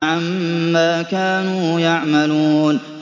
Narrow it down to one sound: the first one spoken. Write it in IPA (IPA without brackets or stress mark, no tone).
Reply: ʕ